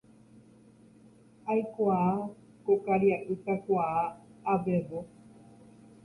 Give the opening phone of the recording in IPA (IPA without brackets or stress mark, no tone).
a